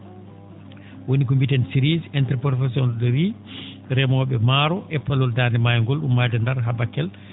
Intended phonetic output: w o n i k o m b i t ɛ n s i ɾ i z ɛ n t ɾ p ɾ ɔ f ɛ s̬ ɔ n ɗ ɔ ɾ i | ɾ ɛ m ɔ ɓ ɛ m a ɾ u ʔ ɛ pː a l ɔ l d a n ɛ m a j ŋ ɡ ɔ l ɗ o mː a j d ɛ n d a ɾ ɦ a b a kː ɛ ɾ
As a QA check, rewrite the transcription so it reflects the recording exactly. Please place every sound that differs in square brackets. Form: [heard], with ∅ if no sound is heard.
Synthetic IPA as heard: w o n i k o m b i t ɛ n s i ɾ i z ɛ n t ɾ p ɾ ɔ f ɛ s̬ ɔ n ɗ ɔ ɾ i | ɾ ɛ m ɔ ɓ ɛ m a ɾ [ɔ] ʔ ɛ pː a l ɔ l d a n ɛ m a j ŋ ɡ ɔ l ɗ [u] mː a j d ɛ n d a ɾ ɦ a b a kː ɛ [l]